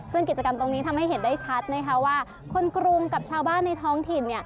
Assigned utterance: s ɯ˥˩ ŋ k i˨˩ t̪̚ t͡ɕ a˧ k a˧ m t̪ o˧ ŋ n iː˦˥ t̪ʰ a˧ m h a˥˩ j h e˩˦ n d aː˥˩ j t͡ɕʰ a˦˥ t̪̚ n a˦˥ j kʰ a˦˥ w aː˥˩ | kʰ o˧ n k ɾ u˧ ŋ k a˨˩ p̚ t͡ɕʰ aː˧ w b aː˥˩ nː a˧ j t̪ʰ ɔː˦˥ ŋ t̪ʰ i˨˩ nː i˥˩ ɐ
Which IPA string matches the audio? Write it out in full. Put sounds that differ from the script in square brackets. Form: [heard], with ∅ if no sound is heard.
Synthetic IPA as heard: s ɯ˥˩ ŋ k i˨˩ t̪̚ t͡ɕ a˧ k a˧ m t̪ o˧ ŋ n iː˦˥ t̪ʰ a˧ m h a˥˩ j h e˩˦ n d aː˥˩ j t͡ɕʰ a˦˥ t̪̚ n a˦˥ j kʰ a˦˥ w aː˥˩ | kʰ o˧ n k ɾ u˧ ŋ k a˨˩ p̚ t͡ɕʰ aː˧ w b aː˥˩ nː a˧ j t̪ʰ ɔː˦˥ ŋ t̪ʰ i˨˩ nː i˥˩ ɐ